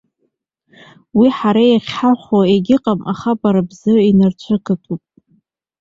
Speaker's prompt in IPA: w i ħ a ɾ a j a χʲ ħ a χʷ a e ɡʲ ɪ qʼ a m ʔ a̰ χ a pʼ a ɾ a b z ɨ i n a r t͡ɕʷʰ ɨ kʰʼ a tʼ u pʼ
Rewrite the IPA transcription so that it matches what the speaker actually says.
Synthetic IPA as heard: w i ħ a ɾ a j a χʲ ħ a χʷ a e ɡʲ ɪ qʼ a m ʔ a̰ χ a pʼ a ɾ a b z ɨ i n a r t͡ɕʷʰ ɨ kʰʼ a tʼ u pʼ